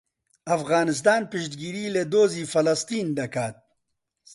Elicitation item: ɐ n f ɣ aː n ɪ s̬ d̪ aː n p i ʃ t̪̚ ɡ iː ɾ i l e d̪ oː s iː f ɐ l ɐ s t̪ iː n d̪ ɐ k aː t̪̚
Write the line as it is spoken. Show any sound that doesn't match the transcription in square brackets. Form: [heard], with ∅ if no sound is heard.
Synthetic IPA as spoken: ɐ [∅] f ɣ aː n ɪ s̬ [t̪] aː n p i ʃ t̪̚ ɡ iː ɾ i l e d̪ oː [z] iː f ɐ l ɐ s t̪ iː n d̪ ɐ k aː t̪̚